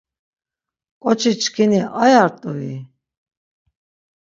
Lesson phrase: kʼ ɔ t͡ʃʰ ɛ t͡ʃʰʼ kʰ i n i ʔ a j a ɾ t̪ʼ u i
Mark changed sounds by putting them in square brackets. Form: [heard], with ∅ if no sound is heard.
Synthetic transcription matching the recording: kʼ ɔ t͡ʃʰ [i] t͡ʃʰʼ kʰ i n i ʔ a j a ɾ t̪ʼ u i